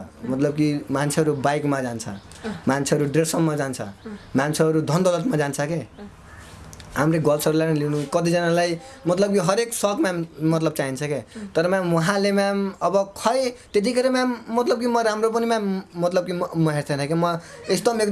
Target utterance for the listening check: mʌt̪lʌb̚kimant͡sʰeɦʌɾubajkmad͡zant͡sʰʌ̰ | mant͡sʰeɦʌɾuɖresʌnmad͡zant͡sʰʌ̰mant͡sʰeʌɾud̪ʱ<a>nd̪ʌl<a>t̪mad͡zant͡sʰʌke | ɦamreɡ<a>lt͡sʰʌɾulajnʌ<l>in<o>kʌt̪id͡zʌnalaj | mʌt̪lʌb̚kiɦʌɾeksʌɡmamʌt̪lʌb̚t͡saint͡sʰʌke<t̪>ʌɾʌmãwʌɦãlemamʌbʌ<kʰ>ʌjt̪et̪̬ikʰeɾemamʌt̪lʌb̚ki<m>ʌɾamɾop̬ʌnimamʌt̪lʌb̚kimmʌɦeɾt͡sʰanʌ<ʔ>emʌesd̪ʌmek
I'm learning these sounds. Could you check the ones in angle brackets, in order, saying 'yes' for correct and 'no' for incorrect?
no, no, no, yes, no, yes, yes, yes, no

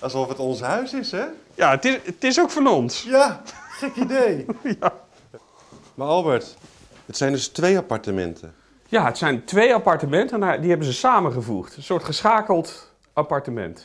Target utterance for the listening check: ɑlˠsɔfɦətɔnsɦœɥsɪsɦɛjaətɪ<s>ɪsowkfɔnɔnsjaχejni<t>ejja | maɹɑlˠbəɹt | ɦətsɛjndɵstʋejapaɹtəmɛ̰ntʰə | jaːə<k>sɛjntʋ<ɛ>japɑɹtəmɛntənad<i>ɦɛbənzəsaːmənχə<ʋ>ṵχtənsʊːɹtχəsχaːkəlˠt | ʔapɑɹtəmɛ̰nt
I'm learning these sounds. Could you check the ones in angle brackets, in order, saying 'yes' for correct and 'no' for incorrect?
no, no, no, no, yes, no

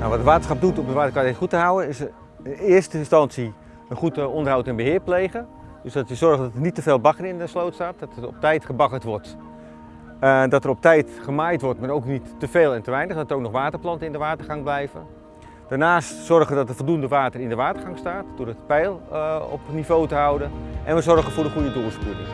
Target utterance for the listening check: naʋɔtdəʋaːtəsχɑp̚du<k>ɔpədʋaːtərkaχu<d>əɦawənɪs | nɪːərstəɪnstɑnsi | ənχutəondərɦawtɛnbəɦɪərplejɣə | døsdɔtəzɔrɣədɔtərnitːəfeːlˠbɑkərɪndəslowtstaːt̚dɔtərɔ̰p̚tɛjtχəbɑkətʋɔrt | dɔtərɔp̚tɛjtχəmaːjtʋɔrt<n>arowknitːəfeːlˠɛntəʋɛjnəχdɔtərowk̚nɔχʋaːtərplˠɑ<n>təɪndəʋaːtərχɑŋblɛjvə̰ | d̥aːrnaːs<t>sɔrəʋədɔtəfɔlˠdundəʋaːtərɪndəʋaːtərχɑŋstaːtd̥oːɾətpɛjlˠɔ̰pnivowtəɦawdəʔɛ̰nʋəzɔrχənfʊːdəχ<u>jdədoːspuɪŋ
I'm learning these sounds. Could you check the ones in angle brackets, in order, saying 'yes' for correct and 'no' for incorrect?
no, no, no, yes, yes, yes

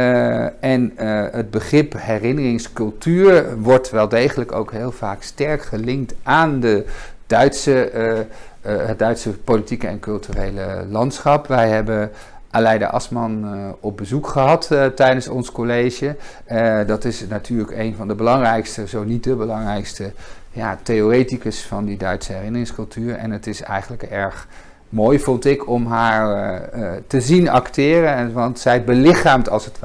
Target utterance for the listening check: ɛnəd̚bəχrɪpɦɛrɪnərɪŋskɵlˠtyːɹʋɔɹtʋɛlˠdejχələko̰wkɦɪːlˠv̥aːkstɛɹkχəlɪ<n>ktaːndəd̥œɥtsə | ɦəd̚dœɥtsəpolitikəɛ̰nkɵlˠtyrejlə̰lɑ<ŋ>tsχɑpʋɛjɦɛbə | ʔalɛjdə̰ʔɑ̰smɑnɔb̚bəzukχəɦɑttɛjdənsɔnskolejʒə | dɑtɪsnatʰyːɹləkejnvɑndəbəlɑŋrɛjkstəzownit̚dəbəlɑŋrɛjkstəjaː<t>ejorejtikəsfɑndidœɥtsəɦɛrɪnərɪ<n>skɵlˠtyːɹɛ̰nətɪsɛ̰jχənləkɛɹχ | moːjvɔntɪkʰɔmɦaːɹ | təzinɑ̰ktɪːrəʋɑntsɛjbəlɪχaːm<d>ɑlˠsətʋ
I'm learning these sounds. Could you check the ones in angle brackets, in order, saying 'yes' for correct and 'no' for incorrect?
no, no, yes, no, no

